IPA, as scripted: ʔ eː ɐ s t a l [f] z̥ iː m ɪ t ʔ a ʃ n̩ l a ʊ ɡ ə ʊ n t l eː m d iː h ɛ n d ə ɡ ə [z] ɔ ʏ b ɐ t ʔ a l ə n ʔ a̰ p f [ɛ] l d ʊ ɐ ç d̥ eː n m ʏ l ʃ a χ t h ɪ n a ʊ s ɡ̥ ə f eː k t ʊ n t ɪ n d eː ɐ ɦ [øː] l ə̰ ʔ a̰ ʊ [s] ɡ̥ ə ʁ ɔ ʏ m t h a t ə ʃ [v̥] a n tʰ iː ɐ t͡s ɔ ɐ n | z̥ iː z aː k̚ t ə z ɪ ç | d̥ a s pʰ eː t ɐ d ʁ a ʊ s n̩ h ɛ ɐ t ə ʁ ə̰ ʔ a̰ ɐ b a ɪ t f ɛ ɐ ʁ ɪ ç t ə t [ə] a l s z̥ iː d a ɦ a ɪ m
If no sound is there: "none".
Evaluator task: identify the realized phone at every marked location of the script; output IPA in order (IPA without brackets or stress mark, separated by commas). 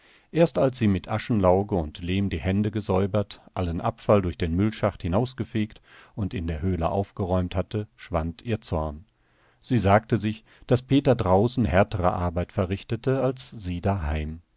s, z, a, øː, f, v̥, ə